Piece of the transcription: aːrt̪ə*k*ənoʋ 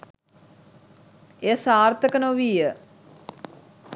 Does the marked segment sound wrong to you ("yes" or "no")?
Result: no